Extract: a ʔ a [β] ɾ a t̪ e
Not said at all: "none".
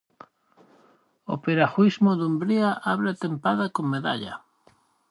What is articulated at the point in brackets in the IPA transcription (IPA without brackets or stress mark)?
β